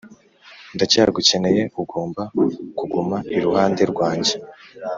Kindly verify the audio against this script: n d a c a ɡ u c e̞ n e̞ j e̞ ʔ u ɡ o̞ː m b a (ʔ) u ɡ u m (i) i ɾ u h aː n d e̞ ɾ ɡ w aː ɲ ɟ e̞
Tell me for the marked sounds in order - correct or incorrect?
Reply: incorrect: k, incorrect: a

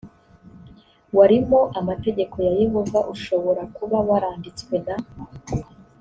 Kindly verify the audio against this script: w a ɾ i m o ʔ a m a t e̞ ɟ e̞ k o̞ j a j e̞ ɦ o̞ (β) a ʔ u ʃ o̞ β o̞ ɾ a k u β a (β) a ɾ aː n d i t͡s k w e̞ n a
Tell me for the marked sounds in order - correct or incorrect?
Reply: incorrect: v, incorrect: w

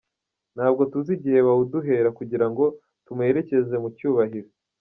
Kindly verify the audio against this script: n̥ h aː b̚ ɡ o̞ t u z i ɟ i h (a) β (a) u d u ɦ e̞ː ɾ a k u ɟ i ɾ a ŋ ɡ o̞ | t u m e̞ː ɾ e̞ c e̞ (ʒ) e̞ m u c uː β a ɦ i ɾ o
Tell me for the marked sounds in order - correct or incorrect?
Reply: incorrect: e, correct, incorrect: z

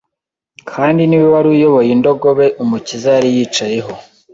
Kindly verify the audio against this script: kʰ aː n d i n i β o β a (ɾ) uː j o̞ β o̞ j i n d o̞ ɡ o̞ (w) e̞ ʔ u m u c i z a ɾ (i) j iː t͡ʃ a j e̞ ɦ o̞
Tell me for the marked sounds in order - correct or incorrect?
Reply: correct, incorrect: β, correct

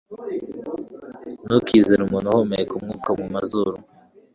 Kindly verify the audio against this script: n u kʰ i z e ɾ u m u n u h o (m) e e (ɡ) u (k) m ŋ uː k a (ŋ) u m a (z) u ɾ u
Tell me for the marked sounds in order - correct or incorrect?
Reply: correct, incorrect: k, incorrect: none, incorrect: m, correct

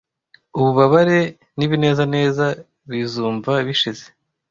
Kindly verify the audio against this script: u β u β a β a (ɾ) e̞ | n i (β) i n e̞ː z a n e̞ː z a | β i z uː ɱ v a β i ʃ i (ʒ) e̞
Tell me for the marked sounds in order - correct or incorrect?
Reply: correct, correct, incorrect: z

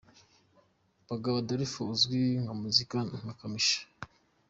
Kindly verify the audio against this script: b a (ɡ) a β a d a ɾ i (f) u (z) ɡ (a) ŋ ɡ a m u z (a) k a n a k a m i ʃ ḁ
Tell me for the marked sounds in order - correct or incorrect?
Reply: correct, correct, correct, incorrect: i, incorrect: i

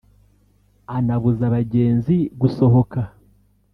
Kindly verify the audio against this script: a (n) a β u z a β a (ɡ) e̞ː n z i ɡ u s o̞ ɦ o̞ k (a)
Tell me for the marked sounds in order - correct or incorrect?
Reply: correct, incorrect: ɟ, correct

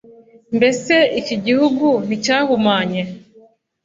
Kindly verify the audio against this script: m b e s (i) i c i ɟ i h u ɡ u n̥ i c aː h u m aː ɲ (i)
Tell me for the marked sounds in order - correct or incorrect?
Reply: incorrect: e, incorrect: e

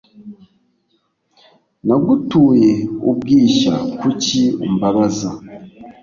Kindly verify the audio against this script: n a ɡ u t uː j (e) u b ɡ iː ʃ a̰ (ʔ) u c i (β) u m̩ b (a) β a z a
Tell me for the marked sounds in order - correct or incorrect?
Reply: correct, incorrect: k, incorrect: none, correct

